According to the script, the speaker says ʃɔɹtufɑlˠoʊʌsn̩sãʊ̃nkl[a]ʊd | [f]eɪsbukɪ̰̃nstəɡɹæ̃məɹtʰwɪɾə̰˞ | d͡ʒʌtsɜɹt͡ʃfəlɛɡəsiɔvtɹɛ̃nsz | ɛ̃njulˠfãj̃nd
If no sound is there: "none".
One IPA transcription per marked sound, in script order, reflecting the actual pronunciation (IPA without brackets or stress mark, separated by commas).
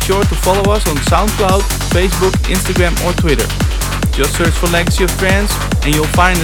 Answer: a, f